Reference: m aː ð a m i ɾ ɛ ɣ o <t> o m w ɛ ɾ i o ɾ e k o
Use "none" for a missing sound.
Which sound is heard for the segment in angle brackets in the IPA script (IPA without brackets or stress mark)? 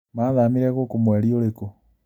k